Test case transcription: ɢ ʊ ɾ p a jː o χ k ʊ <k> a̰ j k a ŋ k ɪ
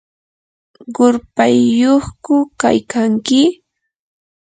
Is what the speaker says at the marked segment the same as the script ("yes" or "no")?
yes